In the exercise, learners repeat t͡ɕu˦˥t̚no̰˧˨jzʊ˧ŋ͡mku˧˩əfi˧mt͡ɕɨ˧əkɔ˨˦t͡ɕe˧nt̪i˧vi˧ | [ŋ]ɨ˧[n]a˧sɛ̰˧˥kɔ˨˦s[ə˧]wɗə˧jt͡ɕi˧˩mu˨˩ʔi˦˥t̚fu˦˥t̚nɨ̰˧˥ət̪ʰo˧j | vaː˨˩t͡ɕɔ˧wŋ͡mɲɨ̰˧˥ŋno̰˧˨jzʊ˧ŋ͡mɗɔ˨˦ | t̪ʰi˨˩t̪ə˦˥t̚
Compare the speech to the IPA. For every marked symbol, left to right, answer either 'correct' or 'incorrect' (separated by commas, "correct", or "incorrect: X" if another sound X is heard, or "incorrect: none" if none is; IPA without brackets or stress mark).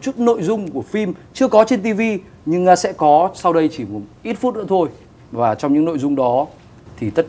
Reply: incorrect: ɲ, incorrect: ŋ, incorrect: a˧